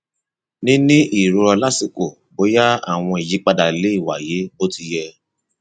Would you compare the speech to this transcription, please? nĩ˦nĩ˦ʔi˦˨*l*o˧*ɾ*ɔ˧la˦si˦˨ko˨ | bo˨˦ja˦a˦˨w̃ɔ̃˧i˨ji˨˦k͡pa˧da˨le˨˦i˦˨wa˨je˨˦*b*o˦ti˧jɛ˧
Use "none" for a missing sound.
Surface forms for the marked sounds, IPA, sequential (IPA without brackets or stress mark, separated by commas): ɾ, ɾ, b